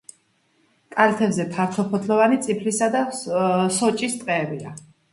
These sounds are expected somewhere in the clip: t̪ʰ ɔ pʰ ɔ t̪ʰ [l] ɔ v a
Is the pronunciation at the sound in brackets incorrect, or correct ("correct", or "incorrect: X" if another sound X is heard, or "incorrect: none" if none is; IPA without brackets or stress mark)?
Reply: correct